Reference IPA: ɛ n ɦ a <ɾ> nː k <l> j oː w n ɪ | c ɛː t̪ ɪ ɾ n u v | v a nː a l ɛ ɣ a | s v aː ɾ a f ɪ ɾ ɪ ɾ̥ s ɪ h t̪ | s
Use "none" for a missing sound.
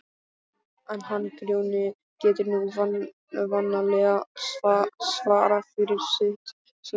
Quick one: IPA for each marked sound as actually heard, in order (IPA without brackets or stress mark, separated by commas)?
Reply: none, ɾ